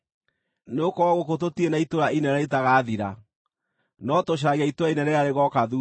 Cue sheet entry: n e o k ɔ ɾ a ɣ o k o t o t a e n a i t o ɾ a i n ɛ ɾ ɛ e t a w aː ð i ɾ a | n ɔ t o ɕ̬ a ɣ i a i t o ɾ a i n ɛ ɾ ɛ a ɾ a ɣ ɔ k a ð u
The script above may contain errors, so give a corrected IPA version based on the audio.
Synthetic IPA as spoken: n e o k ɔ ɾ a ɣ o k o t o t i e n a i t o ɾ a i n ɛ ɾ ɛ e t a ɣ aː ð i ɾ a | n ɔ t o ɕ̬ a ɣ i a i t o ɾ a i n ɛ ɾ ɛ a ɾ e ɣ ɔ k a ð u